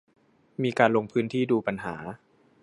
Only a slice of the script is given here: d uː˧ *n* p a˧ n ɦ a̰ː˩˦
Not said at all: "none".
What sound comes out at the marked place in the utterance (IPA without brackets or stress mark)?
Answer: none